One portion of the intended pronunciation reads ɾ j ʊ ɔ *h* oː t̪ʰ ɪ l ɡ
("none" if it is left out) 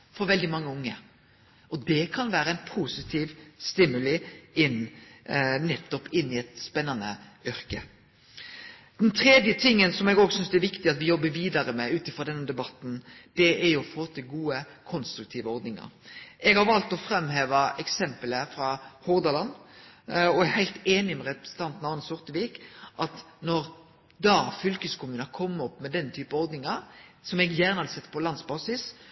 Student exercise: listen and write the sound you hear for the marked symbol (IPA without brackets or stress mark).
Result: f